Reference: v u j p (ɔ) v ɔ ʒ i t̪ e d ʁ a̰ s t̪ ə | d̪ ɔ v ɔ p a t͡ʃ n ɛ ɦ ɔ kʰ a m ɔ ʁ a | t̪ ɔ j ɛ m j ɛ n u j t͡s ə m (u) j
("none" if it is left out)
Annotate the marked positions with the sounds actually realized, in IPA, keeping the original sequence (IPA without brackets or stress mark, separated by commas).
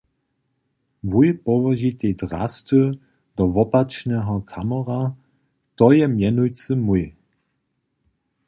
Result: ɔ, u